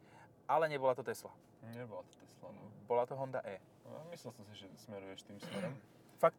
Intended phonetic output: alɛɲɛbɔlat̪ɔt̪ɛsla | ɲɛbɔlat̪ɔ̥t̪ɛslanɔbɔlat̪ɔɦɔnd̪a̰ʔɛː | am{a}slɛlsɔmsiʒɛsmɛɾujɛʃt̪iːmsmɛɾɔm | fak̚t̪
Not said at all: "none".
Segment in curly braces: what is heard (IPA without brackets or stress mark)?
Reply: i